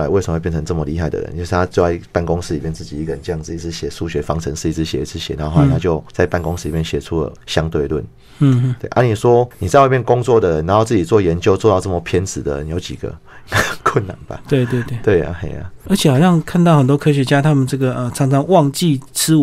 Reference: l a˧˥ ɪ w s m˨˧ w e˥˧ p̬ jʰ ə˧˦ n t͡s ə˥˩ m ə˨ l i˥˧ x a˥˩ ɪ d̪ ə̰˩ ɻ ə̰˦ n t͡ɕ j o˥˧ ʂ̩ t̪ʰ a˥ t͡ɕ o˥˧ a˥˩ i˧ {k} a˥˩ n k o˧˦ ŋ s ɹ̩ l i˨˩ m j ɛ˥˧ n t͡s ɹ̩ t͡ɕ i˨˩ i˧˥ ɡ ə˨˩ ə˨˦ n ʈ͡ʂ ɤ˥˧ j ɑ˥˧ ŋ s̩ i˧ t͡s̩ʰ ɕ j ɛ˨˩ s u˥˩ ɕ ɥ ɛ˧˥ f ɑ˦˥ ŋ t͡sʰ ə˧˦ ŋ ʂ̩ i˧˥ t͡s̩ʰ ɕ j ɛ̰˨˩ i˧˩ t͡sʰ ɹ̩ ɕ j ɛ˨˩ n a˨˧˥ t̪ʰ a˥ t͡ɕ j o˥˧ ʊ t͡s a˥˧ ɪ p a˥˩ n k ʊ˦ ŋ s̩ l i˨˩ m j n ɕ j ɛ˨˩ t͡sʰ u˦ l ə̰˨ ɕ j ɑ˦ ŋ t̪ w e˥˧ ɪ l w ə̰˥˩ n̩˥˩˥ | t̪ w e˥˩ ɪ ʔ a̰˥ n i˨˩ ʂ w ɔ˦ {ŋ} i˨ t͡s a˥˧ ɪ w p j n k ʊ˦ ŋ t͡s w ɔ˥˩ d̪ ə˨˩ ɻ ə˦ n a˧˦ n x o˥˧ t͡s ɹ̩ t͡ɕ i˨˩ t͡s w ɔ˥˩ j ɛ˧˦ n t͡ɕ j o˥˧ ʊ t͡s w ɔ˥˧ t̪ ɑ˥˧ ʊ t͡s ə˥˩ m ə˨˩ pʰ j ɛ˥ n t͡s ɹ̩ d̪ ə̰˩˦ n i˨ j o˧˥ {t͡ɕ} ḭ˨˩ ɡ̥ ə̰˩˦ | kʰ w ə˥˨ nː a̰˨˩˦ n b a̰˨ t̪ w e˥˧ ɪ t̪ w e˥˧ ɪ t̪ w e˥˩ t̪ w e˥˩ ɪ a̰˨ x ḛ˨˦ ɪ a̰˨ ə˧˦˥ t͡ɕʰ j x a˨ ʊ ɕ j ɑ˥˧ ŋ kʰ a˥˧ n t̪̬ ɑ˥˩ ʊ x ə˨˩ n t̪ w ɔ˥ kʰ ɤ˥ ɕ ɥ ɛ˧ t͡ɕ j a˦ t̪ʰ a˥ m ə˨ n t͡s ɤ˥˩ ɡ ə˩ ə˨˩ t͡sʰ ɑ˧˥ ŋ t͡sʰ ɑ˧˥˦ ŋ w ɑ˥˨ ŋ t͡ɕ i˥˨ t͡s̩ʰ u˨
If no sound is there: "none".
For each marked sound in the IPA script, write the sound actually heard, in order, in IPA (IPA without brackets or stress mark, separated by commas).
p, n, t͡ɕ